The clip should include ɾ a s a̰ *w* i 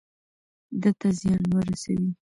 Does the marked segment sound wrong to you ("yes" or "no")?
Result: no